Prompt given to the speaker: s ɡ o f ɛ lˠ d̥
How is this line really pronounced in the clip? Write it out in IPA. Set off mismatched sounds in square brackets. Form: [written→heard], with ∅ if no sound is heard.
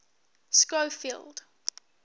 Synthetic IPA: s [ɡ→k] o f [ɛ→i] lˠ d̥

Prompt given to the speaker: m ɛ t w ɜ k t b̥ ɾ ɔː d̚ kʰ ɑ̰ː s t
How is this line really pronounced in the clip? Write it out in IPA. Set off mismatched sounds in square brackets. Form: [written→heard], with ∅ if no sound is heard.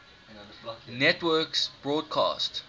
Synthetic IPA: [m→n] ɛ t w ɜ k [t→s] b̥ [ɾ→ɹ] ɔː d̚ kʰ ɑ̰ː s t

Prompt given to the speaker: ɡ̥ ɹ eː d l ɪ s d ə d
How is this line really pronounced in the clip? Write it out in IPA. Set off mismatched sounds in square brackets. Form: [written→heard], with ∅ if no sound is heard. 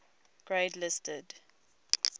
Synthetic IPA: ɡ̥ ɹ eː d l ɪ s [d→t] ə d

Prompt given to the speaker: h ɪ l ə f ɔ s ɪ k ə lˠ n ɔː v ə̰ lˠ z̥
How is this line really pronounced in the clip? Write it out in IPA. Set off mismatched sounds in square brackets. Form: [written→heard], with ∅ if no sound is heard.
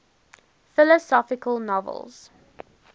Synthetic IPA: [h→f] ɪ l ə [f→s] ɔ [s→f] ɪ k ə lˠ n [ɔː→ɔ] v ə̰ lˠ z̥

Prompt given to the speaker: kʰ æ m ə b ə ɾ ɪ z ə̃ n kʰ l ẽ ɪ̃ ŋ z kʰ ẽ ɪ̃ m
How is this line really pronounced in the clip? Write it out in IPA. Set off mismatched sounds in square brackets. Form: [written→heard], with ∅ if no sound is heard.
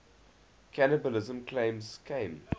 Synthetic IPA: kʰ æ [m→n] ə b ə [ɾ→l] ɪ z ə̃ [n→m] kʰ l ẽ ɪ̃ [ŋ→m] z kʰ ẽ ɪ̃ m

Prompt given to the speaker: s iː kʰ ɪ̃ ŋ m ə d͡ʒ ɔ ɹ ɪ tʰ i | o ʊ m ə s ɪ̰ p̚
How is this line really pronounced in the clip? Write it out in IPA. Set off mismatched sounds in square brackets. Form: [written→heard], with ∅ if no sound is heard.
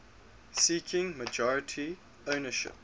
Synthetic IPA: s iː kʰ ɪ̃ ŋ m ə d͡ʒ ɔ ɹ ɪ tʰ i | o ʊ [m→n] ə [s→ʃ] ɪ̰ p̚

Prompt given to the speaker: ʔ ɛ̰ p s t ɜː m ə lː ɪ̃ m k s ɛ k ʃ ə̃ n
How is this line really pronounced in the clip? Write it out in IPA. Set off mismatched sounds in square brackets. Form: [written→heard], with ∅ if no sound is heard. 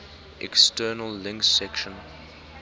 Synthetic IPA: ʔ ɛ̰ [p→k] s t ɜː [m→n] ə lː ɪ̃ [m→ŋ] k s ɛ k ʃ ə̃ n

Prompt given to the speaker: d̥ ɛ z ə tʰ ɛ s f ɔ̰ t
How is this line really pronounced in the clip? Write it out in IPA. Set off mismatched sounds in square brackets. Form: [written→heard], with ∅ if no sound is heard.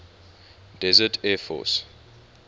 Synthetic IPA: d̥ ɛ z ə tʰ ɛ [s→∅] f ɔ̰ [t→s]

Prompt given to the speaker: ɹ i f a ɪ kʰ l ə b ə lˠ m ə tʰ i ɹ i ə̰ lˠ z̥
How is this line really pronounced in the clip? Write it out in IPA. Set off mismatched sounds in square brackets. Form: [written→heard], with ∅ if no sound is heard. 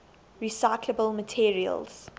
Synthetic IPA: ɹ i [f→s] a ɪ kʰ l ə b ə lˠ m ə tʰ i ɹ i ə̰ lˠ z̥

